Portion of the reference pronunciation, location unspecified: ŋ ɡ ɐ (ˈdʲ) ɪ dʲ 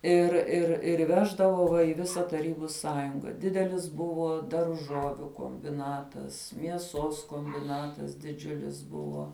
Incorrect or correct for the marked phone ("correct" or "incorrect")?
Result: correct